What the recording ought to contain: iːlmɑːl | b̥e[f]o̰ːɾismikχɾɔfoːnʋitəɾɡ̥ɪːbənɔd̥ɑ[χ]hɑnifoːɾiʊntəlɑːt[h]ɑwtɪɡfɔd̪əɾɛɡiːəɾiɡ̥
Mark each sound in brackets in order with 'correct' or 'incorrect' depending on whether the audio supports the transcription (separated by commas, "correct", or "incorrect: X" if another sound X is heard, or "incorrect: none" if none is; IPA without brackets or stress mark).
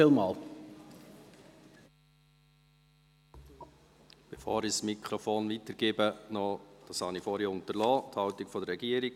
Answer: correct, incorrect: s, correct